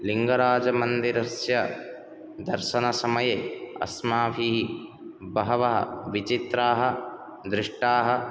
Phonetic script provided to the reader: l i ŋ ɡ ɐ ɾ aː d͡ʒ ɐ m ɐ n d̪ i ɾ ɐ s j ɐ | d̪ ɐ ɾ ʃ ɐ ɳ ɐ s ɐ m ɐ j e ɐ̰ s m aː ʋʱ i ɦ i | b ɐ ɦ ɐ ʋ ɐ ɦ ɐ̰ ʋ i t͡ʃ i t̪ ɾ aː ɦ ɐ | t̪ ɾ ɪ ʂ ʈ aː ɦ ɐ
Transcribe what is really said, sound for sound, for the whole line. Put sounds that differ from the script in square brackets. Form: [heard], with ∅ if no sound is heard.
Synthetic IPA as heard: l i ŋ ɡ ɐ ɾ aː d͡ʒ ɐ m ɐ n d̪ i ɾ ɐ s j ɐ | d̪ ɐ ɾ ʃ ɐ [n] ɐ s ɐ m ɐ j e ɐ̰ s m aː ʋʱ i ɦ i | b ɐ ɦ ɐ ʋ ɐ ɦ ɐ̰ ʋ i t͡ʃ i t̪ ɾ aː ɦ ɐ | [d̪] ɾ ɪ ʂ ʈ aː ɦ ɐ